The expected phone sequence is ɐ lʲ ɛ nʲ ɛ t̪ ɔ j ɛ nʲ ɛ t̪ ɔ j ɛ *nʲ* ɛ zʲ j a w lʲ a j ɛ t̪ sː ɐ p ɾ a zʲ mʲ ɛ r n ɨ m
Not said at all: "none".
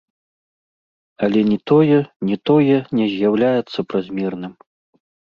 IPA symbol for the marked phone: nʲ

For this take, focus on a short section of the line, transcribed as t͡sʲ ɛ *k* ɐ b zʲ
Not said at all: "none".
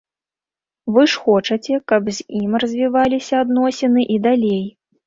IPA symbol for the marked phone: k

